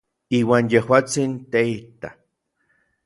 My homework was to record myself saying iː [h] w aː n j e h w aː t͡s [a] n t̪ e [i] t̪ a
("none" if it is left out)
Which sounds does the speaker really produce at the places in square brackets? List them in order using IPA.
none, i, i

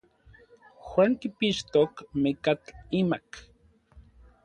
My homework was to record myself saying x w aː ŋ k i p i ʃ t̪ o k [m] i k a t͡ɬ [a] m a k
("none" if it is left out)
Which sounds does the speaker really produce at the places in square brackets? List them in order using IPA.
m, i

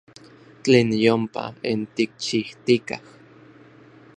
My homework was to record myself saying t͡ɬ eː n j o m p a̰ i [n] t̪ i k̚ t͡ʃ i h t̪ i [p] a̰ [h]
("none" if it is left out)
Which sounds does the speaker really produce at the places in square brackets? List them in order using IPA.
n, k, h

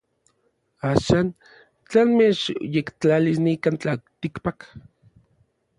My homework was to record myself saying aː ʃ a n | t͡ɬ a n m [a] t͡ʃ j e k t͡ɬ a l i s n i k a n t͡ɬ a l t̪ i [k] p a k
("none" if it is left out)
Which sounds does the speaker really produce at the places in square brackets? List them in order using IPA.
e, k

